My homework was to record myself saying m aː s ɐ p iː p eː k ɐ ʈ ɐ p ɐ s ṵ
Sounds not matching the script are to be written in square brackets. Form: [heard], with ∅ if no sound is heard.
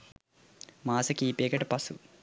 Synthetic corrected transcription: m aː s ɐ [k] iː p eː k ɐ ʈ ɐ p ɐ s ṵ